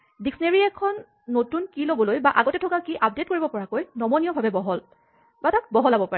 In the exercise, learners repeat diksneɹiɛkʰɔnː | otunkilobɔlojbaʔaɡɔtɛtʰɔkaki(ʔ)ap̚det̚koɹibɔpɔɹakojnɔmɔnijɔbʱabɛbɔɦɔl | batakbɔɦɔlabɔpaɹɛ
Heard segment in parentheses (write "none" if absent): ʔ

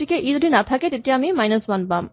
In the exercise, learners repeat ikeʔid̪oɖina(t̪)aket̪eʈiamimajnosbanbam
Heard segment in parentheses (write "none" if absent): t̪ʰ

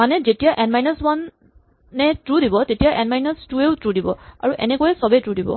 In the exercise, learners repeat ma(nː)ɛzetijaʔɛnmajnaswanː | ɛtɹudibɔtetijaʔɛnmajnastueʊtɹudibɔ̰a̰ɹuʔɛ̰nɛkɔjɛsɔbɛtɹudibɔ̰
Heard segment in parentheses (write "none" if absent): n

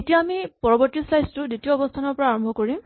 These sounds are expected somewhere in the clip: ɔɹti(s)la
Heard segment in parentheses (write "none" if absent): s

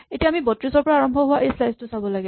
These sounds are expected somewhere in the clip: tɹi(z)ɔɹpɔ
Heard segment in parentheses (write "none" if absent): s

